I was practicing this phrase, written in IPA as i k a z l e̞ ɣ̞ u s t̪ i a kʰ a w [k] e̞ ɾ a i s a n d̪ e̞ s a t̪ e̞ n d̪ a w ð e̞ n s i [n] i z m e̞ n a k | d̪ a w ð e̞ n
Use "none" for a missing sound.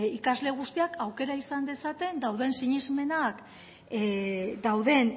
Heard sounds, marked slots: k, ɲ

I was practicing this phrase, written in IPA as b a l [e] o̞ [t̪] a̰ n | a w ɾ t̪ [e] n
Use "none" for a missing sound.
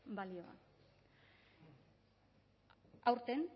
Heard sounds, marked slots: i, none, e

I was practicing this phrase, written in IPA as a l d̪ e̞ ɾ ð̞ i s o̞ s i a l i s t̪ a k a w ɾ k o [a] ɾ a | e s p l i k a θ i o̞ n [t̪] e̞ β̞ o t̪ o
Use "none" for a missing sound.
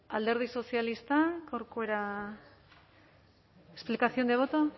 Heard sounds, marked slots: e, d̪

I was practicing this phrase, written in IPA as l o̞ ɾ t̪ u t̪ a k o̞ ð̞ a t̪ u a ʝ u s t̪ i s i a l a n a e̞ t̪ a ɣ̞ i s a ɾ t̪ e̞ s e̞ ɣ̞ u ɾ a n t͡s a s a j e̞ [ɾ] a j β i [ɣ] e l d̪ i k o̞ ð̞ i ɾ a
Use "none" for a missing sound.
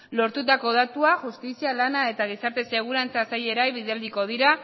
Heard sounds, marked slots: ɾ, ð

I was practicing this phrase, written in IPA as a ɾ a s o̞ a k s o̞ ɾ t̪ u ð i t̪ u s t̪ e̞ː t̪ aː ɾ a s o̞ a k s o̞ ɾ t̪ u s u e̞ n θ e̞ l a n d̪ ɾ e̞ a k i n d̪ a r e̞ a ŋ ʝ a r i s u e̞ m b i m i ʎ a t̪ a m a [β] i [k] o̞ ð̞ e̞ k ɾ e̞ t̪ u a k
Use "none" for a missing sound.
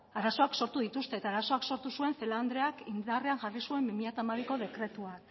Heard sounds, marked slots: β, k

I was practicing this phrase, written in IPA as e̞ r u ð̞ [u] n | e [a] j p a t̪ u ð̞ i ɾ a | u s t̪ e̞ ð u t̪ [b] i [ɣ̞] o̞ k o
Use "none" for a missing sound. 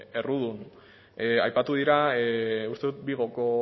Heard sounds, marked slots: u, a, b, ɣ̞

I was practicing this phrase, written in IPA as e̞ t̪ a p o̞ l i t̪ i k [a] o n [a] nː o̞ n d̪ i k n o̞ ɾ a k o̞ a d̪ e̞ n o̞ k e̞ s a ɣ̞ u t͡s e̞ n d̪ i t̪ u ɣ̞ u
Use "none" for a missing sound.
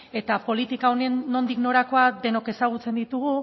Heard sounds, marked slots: a, e

